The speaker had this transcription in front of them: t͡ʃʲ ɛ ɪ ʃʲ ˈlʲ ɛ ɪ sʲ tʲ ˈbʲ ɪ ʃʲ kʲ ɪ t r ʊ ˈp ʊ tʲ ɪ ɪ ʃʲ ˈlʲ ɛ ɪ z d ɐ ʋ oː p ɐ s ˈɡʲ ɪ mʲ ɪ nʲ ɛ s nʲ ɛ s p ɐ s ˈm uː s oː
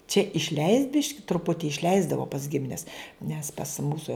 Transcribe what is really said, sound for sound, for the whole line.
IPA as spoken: t͡ʃʲ ɛ ɪ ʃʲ ˈlʲ ɛ ɪ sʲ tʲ ˈbʲ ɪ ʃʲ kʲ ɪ t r ʊ ˈp ʊ tʲ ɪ ɪ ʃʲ ˈlʲ ɛ ɪ z d ɐ ʋ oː p ɐ s ˈɡʲ ɪ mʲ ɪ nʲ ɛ s nʲ ɛ s p ɐ s ˈm uː s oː